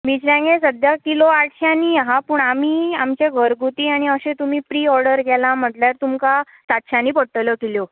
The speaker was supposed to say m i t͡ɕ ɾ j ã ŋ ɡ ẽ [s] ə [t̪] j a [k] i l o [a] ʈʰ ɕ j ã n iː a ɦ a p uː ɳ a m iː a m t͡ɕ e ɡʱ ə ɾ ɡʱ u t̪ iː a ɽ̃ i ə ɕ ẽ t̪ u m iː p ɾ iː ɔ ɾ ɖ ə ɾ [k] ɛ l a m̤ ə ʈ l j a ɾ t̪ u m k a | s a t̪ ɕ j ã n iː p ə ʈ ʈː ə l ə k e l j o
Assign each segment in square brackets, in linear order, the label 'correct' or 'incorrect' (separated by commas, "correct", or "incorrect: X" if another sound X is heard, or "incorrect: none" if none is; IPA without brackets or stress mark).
correct, incorrect: d̪, correct, correct, incorrect: ɡ